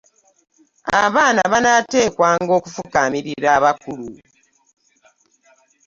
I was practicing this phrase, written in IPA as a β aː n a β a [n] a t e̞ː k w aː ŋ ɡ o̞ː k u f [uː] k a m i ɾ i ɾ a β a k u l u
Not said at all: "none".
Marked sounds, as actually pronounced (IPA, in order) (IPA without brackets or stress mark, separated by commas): n, u